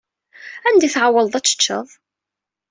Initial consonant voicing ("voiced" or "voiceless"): voiced